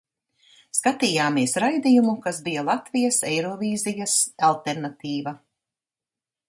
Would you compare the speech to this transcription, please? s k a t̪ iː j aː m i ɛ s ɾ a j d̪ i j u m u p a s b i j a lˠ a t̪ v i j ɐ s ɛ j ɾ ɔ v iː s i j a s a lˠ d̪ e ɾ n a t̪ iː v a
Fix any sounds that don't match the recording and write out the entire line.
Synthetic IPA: s k a t̪ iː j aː m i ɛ s ɾ a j d̪ i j u m u k a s b i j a lˠ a t̪ v i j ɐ s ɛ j ɾ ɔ v iː z i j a s a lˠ t̪ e ɾ n a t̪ iː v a